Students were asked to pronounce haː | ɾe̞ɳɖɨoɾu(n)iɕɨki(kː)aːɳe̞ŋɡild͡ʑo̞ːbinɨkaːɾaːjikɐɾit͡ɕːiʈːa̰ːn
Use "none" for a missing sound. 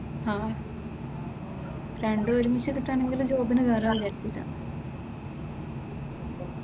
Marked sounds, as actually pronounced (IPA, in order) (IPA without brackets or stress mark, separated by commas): m, ʈː